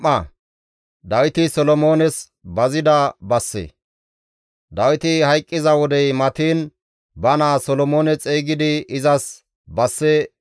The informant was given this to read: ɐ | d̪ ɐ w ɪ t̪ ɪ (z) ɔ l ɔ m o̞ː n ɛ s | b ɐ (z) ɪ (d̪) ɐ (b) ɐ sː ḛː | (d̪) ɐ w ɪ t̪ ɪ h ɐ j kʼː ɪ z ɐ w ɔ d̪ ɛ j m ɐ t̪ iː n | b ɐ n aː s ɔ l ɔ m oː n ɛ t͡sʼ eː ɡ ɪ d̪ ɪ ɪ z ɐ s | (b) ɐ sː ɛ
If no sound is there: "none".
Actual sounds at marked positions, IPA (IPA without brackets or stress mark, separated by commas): s, z, d̪, b, d̪, b